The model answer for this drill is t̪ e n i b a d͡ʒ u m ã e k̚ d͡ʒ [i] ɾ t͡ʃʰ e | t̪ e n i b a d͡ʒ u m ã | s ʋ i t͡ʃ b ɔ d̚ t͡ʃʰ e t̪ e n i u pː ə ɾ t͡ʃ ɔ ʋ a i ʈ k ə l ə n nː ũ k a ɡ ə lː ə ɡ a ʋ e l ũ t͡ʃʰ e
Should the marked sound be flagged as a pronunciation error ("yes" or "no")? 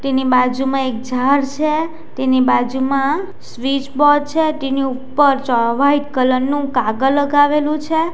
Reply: yes